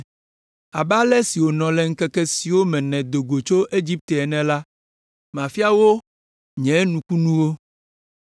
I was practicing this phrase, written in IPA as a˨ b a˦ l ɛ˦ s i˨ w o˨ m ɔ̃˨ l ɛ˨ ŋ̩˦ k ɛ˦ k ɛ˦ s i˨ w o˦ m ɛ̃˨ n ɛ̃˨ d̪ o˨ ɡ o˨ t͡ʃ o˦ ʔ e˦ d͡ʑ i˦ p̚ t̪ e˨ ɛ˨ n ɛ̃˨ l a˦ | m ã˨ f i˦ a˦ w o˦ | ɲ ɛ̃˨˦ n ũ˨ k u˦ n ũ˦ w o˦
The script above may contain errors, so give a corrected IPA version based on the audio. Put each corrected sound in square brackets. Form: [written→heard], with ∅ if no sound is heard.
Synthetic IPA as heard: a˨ b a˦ l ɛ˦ s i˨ w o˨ [m→n] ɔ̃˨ l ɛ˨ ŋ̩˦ k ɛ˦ k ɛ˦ s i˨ w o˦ m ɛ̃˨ n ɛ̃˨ d̪ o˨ ɡ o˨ t͡ʃ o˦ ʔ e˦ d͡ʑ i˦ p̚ t̪ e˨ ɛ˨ n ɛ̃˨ l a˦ | m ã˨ f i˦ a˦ w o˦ | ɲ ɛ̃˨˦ n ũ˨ k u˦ n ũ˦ w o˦

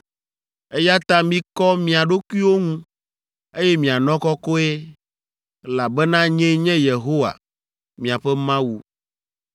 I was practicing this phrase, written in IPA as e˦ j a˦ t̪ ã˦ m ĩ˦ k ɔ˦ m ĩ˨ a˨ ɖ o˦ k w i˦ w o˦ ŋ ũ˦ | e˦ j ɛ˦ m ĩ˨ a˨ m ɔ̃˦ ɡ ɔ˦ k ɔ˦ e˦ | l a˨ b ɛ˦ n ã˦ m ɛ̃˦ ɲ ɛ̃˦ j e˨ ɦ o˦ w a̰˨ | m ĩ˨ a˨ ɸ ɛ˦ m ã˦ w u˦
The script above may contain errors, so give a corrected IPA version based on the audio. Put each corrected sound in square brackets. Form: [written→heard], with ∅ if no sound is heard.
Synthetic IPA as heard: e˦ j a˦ t̪ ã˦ m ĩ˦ k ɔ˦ m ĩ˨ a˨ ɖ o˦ k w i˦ w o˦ ŋ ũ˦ | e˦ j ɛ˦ m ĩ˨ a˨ [m→n] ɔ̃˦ [ɡ→k] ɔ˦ k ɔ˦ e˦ | l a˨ b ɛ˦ n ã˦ [m→ɲ] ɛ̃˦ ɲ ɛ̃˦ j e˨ ɦ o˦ w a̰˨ | m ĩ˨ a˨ ɸ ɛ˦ m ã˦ w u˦

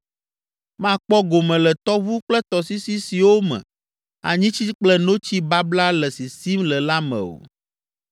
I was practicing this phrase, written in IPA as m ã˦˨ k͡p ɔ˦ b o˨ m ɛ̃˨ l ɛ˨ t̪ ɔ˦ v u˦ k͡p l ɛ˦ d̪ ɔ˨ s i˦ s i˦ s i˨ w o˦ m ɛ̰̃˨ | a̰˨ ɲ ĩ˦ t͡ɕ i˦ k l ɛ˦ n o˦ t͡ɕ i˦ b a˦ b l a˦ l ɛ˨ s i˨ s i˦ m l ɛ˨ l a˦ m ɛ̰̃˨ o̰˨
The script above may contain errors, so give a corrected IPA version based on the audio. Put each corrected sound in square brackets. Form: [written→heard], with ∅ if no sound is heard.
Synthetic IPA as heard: m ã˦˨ k͡p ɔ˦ [b→ɡ] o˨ m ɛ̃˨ l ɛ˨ t̪ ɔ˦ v u˦ k͡p l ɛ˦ [d̪→t̪] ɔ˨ s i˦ s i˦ s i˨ w o˦ m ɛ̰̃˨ | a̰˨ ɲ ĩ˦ t͡ɕ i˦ [k→k͡p] l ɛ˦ n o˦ t͡ɕ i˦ b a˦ b l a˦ l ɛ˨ s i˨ s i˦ m l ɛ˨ l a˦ m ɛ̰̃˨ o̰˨

